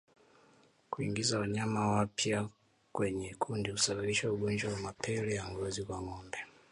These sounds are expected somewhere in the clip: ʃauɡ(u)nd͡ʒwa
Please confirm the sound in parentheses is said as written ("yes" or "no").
no